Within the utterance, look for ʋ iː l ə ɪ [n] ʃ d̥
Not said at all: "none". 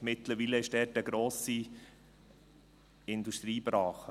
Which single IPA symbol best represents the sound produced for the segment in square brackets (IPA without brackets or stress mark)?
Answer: none